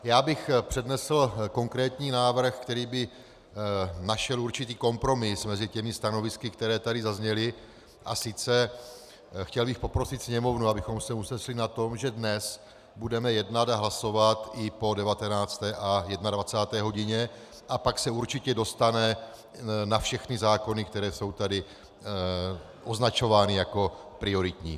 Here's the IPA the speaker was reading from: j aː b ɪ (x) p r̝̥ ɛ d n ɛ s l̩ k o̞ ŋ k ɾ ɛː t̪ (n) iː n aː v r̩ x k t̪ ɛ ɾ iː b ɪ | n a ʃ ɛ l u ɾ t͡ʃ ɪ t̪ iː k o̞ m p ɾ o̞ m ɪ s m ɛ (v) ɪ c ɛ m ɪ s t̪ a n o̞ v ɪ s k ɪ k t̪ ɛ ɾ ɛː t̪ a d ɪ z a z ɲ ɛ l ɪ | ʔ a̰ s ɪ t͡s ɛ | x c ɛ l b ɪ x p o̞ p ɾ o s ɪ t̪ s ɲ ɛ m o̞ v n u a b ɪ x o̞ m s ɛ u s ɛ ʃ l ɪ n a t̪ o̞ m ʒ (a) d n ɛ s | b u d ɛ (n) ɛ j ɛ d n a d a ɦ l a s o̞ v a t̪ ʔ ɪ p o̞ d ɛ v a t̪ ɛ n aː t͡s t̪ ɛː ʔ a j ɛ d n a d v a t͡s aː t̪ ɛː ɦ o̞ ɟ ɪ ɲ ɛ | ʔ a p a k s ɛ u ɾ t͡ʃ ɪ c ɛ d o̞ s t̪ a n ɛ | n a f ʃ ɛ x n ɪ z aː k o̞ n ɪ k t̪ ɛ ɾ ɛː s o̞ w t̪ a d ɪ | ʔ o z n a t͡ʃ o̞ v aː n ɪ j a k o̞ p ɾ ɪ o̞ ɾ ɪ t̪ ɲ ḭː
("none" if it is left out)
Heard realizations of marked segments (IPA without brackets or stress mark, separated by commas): x, ɲ, z, ɛ, m